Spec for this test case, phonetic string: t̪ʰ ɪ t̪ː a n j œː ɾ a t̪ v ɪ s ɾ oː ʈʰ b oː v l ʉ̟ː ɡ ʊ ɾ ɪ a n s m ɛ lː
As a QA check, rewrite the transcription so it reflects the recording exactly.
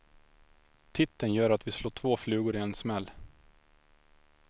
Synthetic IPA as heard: t̪ʰ ɪ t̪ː ə n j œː ɾ a t̪ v ɪ s l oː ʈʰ v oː f l ʉ̟ː ɡ ʊ ɾ ɪ ɛ n s m ɛ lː